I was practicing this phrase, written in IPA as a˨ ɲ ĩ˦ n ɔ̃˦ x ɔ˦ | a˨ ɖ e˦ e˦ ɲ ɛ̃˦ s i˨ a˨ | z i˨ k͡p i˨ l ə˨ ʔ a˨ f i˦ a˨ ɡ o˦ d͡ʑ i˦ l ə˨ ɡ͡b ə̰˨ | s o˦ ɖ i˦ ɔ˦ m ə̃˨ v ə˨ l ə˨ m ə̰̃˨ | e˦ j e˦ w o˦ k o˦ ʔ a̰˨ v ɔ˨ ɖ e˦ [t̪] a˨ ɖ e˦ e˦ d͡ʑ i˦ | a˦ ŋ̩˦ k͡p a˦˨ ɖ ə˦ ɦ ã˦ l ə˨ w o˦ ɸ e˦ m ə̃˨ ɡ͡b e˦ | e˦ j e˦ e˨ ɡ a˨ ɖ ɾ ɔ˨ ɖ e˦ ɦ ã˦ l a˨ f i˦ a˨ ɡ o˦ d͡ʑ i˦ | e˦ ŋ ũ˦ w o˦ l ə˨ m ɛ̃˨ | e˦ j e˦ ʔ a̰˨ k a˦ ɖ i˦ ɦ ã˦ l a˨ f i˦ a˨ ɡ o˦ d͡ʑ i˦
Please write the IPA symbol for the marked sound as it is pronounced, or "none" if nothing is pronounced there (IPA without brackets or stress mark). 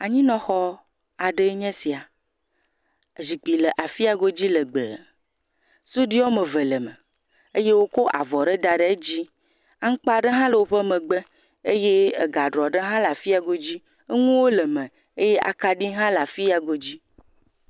d̪